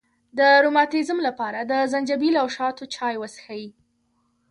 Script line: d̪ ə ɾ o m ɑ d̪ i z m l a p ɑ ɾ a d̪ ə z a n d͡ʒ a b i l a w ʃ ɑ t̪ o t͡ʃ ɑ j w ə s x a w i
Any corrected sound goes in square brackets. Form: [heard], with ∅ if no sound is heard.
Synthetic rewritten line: d̪ ə ɾ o m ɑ [t̪] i z m l a p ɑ ɾ a d̪ ə z a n d͡ʒ a b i l a w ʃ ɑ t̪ o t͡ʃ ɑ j w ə s x a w i

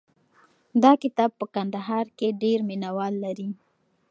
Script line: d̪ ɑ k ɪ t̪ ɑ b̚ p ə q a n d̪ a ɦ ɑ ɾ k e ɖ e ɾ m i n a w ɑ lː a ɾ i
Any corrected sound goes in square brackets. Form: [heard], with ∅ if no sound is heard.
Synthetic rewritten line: d̪ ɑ k ɪ t̪ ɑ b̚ p ə [k] a n d̪ a ɦ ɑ ɾ k e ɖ e ɾ m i n a w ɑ lː a ɾ i

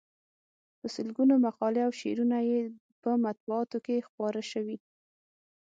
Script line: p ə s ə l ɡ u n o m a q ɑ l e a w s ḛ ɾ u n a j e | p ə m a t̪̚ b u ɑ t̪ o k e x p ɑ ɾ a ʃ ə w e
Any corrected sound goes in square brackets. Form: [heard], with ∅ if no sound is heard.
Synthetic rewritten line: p ə s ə l ɡ u n o m a q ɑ l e a w [ʃ] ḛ ɾ u n a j e | p ə m a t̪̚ b u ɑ t̪ o k e x p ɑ ɾ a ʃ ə w [i]

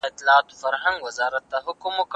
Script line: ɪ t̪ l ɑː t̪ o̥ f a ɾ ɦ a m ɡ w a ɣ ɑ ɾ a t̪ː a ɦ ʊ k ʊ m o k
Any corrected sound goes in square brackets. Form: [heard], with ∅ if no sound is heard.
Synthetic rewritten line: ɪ t̪ l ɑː t̪ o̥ f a ɾ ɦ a [ŋ] ɡ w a [z] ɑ ɾ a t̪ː a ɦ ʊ k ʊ m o k

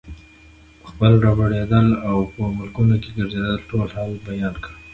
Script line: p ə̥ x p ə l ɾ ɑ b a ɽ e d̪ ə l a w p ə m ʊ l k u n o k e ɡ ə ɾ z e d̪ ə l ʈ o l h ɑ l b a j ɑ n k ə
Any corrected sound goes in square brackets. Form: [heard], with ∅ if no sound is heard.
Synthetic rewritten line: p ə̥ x p ə l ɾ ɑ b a ɽ e d̪ ə l a w p ə m ʊ l k u n o k e ɡ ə ɾ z e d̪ ə l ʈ o l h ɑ l b a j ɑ n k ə

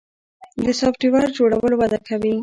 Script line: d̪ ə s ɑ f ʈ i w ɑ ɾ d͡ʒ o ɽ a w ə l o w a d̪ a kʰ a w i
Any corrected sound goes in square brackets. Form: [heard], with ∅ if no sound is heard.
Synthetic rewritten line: d̪ ə s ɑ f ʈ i w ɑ ɾ d͡ʒ o ɽ a w ə l o w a d̪ a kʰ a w i

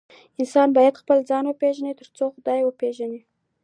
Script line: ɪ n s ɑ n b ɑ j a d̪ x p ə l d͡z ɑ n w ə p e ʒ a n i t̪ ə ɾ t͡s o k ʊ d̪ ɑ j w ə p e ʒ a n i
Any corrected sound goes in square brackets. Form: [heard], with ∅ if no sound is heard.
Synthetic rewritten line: ɪ n s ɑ n b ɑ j a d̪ x p ə l d͡z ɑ n w ə p e ʒ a n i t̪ ə ɾ t͡s o [x] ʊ d̪ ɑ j w ə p e ʒ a n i

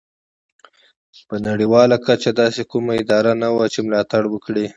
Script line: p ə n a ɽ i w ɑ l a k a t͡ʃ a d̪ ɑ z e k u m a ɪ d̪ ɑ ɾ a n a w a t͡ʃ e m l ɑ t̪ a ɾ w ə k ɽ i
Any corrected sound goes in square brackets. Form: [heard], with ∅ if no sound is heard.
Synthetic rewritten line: p ə n a ɽ i w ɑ l a k a t͡ʃ a d̪ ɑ [s] e k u m a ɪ d̪ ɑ ɾ a n a w a t͡ʃ e m l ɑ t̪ a [ɽ] w ə k ɽ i

